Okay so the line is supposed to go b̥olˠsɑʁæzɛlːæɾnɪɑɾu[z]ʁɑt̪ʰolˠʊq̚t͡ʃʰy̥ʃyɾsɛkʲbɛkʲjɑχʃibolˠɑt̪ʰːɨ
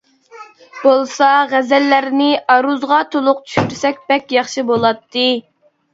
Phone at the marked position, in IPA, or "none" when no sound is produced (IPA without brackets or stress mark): z